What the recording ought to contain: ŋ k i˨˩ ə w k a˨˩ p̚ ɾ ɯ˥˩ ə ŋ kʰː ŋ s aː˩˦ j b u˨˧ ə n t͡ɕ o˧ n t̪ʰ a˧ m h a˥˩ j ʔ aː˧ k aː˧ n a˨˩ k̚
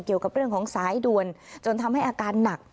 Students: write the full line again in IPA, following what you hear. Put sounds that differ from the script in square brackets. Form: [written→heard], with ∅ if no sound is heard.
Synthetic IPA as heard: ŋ k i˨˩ ə w k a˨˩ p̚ ɾ ɯ˥˩ ə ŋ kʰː ŋ s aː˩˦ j [b→d] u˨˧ ə n t͡ɕ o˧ n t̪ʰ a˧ m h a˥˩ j ʔ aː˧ k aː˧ [n→nː] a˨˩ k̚